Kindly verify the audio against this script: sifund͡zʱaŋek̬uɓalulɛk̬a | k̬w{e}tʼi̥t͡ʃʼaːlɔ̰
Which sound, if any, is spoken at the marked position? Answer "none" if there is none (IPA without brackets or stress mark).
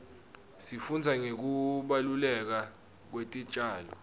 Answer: e